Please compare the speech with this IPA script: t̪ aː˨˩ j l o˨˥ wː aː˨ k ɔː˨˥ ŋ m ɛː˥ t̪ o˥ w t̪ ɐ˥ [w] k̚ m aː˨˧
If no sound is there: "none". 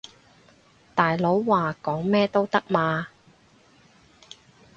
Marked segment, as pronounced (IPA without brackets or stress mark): none